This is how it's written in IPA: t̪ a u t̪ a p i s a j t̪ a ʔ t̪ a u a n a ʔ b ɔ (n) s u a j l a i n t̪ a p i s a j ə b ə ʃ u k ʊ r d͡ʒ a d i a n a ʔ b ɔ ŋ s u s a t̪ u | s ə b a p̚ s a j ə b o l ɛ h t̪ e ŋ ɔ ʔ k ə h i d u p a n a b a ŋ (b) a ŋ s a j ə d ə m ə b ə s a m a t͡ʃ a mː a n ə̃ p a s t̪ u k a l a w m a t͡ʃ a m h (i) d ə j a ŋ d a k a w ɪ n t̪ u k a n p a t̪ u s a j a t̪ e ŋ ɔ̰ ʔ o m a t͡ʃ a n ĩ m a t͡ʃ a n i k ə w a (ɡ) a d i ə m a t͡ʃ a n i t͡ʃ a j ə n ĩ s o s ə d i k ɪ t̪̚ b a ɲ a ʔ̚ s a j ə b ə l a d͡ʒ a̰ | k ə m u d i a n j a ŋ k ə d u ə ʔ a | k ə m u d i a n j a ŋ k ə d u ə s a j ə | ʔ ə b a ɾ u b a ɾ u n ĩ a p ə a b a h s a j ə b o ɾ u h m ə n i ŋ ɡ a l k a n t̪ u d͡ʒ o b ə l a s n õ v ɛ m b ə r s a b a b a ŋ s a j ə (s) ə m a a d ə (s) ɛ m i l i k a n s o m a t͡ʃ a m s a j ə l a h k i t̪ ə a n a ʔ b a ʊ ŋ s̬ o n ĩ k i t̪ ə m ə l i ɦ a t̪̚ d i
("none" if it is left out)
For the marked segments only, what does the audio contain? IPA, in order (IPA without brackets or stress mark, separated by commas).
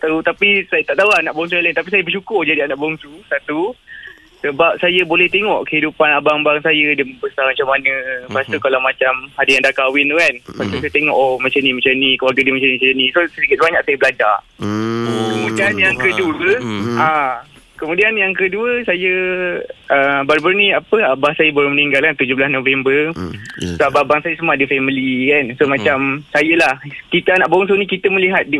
ŋ, b, a, ɡ, s, f